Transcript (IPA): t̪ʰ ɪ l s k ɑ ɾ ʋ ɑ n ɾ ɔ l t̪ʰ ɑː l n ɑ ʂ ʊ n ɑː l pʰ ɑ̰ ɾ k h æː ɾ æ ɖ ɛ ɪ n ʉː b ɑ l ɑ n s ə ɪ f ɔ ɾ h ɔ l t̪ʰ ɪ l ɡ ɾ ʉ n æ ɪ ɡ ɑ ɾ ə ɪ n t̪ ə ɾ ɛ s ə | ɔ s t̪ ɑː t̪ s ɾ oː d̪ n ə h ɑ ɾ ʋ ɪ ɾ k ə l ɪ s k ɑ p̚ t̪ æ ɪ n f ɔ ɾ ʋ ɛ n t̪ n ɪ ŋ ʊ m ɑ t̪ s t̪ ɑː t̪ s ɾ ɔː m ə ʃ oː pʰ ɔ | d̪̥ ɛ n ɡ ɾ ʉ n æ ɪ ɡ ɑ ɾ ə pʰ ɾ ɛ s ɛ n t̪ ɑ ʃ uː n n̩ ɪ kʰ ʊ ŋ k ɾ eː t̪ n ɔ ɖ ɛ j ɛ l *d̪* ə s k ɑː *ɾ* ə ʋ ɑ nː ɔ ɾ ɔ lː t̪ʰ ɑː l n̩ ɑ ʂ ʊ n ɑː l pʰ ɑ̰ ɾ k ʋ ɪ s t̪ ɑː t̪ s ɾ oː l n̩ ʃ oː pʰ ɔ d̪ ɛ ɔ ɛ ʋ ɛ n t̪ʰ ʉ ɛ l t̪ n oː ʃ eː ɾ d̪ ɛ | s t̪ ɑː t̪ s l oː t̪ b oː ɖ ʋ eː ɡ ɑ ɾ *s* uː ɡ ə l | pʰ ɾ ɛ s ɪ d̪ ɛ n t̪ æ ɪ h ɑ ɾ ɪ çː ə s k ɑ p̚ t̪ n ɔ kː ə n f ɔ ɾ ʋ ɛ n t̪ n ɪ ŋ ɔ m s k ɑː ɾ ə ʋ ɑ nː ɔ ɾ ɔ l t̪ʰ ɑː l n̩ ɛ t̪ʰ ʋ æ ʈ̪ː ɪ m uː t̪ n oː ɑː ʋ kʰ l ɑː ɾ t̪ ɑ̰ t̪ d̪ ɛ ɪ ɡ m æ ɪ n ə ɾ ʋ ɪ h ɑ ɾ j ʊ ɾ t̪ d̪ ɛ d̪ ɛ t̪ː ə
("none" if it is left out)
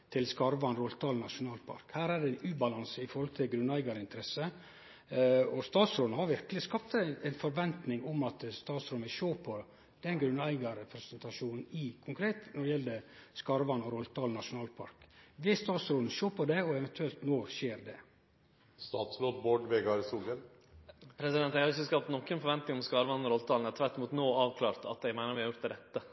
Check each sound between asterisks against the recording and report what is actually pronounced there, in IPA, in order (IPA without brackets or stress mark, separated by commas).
d̪, ɾ, s